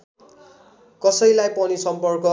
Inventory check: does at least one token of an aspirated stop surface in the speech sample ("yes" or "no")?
no